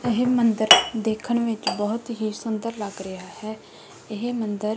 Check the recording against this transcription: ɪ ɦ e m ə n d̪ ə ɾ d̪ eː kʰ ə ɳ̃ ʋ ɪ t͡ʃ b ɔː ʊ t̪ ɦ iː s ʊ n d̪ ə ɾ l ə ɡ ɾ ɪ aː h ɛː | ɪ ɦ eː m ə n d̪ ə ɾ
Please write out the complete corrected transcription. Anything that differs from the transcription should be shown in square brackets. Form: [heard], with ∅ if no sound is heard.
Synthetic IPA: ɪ ɦ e m ə n d̪ ə ɾ d̪ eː kʰ ə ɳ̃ ʋ ɪ t͡ʃ b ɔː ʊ t̪ ɦ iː s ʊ n d̪ ə ɾ l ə ɡ ɾ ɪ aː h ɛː | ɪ ɦ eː m ə n d̪ ə ɾ